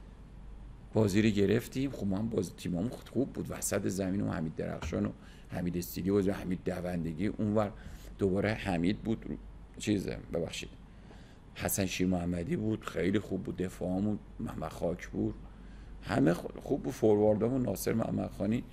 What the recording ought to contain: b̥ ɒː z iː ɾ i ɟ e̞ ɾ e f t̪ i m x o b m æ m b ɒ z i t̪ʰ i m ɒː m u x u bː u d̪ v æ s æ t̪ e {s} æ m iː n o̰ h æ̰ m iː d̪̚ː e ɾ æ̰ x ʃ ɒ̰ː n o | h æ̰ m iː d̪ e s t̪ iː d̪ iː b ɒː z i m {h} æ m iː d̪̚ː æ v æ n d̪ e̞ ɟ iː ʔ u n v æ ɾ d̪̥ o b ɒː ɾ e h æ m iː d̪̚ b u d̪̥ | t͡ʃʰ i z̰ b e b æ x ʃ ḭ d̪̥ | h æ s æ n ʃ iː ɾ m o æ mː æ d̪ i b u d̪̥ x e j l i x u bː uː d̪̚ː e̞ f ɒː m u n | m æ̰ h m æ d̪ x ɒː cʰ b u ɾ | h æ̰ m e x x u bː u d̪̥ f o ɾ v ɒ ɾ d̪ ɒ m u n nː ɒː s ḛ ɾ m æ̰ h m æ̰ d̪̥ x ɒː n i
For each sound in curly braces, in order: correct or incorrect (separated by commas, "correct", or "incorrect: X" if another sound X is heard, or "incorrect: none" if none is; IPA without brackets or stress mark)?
incorrect: z, correct